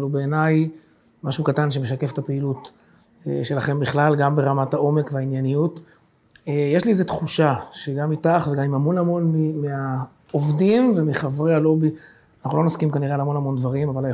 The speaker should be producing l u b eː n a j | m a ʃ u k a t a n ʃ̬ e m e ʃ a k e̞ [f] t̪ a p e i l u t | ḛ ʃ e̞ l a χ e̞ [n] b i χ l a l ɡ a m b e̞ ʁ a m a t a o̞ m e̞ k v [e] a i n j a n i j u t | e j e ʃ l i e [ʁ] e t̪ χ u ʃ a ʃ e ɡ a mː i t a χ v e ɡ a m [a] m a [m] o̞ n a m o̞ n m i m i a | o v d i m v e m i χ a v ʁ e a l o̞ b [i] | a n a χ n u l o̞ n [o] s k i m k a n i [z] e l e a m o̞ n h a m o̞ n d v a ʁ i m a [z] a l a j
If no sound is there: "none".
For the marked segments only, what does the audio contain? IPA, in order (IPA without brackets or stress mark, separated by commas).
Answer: f, m, e, z, i, m, i, o, ʁ, v